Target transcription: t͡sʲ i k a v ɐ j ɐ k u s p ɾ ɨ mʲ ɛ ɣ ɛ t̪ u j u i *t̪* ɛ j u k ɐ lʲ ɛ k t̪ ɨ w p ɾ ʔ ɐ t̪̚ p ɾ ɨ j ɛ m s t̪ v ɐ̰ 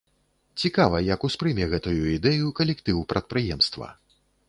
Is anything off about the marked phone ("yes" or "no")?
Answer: yes